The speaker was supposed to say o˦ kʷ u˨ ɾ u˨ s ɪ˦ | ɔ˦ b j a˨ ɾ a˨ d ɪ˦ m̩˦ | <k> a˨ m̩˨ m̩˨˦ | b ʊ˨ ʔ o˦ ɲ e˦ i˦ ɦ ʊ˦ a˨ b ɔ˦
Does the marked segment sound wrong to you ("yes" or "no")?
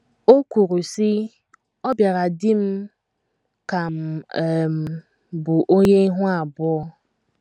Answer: no